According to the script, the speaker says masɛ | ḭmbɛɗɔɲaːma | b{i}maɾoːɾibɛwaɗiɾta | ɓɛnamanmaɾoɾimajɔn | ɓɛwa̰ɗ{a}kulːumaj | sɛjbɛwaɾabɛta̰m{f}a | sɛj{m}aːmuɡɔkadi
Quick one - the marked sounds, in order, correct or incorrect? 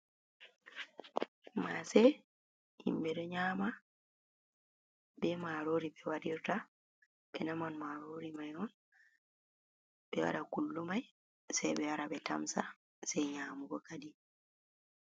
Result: incorrect, correct, incorrect, incorrect

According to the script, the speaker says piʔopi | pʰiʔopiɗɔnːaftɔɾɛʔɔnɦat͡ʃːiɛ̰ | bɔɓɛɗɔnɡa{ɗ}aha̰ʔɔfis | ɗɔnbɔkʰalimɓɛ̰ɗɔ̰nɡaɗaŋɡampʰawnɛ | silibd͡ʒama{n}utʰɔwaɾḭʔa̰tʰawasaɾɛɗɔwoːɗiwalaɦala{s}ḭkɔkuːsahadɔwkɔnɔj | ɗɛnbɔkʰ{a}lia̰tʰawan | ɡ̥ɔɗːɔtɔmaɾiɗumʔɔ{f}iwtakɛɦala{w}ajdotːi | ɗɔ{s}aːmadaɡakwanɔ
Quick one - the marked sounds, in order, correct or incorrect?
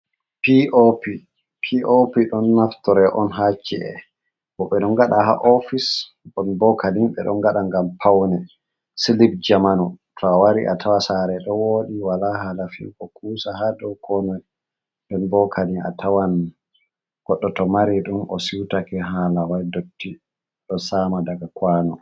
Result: correct, correct, incorrect, correct, incorrect, correct, correct

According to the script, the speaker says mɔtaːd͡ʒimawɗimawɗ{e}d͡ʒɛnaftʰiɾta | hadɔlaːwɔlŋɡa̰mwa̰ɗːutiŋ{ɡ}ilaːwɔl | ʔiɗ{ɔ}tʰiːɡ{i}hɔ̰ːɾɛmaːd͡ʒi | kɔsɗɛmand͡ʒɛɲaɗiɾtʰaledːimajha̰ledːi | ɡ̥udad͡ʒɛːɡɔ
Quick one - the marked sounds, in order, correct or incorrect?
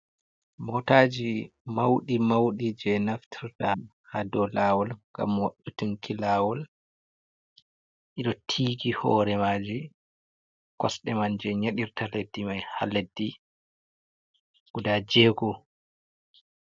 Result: incorrect, incorrect, correct, correct

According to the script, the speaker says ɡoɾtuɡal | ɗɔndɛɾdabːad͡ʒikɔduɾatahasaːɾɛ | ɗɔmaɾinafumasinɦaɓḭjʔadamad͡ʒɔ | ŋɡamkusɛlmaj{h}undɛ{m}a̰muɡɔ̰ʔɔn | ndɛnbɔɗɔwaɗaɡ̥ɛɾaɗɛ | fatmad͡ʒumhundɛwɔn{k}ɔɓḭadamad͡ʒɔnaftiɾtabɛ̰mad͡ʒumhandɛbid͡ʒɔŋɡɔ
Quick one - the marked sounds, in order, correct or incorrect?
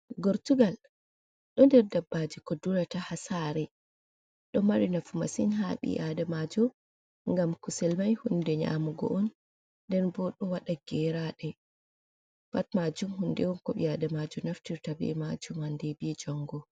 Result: correct, incorrect, correct

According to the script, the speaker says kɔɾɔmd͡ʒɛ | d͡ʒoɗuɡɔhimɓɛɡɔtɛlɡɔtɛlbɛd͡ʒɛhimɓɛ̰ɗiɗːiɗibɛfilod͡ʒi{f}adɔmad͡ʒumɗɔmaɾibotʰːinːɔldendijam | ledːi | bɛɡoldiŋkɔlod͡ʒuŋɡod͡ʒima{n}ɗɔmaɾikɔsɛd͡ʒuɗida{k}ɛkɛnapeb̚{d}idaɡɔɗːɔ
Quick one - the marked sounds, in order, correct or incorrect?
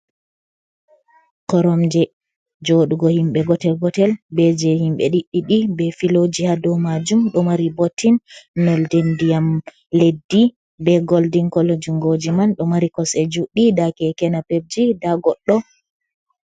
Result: incorrect, correct, correct, incorrect

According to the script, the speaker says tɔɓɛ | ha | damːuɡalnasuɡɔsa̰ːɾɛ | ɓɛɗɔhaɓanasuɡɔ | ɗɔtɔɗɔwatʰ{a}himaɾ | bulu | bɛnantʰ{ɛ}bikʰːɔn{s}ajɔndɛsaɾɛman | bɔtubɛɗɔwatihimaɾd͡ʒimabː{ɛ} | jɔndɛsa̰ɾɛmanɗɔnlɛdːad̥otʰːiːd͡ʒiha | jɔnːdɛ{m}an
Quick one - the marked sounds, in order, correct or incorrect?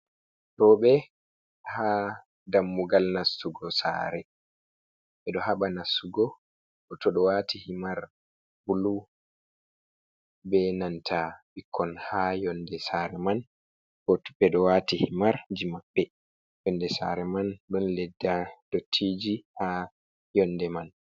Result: incorrect, incorrect, incorrect, correct, correct

